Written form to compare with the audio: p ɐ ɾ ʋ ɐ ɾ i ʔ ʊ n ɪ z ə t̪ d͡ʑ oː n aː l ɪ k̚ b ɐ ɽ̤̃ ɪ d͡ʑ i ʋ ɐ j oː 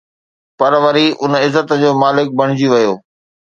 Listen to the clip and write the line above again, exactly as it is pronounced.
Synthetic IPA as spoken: p ɐ ɾ ʋ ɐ ɾ i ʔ ʊ n ɪ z ə t̪ d͡ʑ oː m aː l ɪ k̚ b ɐ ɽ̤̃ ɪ d͡ʑ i ʋ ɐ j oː